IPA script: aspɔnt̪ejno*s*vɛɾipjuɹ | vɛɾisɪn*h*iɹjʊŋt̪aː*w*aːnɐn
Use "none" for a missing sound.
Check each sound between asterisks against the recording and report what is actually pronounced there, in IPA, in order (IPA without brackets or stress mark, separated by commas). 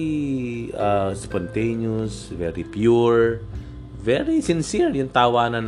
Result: s, s, w